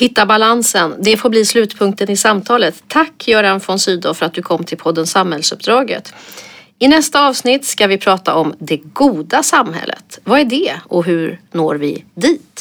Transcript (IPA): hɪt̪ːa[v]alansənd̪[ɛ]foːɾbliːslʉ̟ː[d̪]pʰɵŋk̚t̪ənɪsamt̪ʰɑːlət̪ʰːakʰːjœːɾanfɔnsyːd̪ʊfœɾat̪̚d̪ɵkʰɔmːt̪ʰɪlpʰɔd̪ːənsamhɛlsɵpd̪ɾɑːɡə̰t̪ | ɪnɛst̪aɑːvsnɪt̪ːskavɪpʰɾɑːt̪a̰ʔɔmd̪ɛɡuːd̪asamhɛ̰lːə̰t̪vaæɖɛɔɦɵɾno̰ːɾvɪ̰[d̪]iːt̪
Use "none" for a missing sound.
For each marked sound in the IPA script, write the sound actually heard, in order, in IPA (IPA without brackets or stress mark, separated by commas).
b, ɛ, t̪, d̪